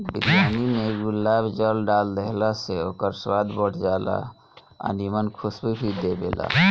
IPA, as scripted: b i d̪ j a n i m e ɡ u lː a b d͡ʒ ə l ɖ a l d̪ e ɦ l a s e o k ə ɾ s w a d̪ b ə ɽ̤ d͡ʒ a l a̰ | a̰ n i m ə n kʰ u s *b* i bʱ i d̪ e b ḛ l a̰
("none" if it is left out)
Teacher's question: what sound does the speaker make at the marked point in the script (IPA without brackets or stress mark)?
b